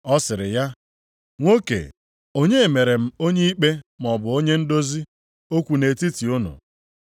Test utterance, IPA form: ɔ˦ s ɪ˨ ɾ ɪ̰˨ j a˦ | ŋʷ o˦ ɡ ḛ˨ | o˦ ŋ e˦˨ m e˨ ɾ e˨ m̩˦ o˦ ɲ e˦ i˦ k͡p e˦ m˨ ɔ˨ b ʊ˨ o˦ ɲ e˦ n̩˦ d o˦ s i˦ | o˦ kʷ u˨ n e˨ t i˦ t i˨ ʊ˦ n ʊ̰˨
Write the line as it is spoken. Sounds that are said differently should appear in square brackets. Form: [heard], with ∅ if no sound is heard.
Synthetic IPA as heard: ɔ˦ s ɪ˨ ɾ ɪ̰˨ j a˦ | ŋʷ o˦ [k] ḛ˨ | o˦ [ɲ] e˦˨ m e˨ ɾ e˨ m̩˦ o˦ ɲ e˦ i˦ k͡p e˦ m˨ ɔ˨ b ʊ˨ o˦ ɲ e˦ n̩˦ d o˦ [z] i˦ | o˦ kʷ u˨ n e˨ t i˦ t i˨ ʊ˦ n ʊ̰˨

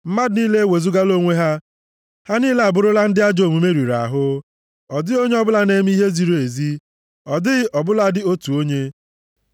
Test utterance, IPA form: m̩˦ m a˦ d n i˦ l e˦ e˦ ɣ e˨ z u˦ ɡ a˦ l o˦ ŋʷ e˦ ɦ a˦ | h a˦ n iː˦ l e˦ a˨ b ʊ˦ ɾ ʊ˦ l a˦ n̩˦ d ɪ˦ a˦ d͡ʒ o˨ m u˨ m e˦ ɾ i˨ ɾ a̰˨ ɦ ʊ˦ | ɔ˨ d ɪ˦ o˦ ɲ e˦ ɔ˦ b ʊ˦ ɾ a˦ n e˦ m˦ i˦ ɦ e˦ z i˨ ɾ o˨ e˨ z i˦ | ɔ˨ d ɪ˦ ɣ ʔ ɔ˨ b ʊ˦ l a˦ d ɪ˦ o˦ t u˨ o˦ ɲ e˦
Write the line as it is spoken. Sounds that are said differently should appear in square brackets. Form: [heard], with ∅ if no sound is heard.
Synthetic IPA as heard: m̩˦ m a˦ d n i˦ l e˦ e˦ [w] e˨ z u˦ ɡ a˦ l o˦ ŋʷ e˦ ɦ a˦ | h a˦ n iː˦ l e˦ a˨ b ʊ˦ ɾ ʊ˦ l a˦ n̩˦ d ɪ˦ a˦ d͡ʒ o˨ m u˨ m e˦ ɾ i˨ ɾ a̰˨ ɦ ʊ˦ | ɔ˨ d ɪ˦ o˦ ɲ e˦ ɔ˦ b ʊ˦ [l] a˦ n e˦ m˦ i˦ ɦ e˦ z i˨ ɾ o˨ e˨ z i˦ | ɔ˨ d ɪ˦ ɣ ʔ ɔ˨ b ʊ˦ l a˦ d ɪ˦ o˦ t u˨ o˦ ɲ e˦

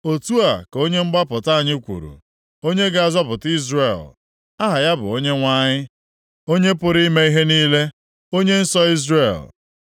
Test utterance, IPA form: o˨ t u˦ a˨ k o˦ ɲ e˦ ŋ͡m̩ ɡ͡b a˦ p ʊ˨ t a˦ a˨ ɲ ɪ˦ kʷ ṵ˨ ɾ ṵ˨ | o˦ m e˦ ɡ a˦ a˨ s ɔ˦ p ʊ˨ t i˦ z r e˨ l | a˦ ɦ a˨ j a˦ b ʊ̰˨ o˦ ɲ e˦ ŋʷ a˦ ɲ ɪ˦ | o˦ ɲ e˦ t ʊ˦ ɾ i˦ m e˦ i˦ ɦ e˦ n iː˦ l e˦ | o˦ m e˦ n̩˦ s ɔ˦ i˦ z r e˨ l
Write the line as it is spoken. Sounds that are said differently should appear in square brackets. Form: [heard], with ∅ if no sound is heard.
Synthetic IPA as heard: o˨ t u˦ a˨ k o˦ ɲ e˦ ŋ͡m̩ ɡ͡b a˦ p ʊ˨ t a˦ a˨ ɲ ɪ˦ kʷ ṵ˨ ɾ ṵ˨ | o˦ [ɲ] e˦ ɡ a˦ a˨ [z] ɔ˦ p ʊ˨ t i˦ z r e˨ l | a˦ ɦ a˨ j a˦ b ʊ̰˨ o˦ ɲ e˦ ŋʷ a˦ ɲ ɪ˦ | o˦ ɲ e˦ [p] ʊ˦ ɾ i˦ m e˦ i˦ ɦ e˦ n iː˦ l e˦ | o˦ [ɲ] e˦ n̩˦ s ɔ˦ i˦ z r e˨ l

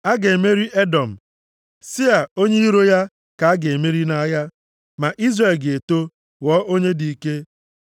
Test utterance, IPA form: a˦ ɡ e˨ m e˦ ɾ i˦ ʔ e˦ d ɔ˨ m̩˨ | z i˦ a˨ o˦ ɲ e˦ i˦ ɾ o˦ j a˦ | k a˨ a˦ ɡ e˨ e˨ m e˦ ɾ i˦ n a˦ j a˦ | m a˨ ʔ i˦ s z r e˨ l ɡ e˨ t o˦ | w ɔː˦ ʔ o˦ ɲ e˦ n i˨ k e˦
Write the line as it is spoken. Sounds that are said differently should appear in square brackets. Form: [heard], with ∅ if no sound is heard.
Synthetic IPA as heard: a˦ ɡ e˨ m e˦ ɾ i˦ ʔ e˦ d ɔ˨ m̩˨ | [s] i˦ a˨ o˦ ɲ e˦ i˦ ɾ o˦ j a˦ | k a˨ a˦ ɡ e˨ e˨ m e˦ ɾ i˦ n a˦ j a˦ | m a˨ ʔ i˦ [∅] z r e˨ l ɡ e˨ t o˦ | w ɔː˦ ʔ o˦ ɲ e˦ [d] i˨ k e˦

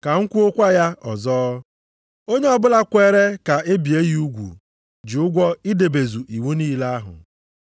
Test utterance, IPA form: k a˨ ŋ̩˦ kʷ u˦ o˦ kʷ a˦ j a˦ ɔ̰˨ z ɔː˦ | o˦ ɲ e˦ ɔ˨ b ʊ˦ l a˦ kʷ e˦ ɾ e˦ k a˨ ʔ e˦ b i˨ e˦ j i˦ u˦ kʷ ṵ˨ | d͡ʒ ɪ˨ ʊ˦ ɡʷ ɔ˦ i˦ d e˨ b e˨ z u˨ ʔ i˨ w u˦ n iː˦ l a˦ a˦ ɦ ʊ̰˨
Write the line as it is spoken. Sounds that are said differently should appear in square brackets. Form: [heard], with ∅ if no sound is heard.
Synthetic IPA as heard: k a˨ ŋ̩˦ kʷ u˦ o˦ kʷ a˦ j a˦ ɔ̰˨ z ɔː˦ | o˦ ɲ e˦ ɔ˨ b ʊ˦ l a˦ kʷ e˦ ɾ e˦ k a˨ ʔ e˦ b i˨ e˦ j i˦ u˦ [ɡʷ] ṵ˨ | d͡ʒ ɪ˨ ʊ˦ ɡʷ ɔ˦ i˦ d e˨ b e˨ z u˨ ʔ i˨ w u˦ n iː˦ l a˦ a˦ ɦ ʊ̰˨

